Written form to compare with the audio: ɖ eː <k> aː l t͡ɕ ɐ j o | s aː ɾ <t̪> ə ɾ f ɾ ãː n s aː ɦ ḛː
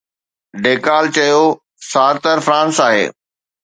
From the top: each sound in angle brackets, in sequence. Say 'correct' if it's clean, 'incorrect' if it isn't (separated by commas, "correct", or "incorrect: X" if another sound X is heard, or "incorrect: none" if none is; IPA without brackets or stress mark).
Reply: correct, correct